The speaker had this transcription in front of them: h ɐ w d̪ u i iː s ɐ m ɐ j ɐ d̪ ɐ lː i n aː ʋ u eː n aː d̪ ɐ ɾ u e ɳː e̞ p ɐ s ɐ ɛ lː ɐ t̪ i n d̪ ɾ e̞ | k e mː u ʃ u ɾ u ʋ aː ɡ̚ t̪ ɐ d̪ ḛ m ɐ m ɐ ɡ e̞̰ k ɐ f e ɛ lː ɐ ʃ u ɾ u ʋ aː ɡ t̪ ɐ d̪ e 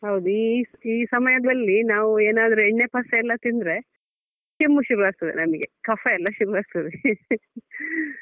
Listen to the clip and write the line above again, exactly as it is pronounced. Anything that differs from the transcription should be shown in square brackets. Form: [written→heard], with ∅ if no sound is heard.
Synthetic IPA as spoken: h ɐ w d̪ u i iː s ɐ m ɐ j ɐ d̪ ɐ lː i n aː ʋ u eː n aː d̪ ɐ ɾ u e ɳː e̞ p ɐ s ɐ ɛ lː ɐ t̪ i n d̪ ɾ e̞ | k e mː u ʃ u ɾ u ʋ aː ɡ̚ t̪ ɐ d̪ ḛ [m→n] ɐ m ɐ ɡ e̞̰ k ɐ f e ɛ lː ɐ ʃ u ɾ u ʋ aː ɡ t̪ ɐ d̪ e